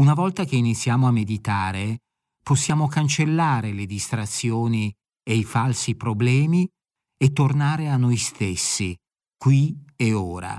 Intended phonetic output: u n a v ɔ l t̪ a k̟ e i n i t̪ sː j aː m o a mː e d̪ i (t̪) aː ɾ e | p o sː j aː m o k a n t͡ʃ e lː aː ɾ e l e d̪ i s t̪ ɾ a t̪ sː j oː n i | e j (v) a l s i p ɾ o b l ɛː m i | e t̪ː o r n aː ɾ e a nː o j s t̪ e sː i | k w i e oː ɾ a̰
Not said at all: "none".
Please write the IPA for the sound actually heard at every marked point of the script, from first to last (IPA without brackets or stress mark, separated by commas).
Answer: t̪, f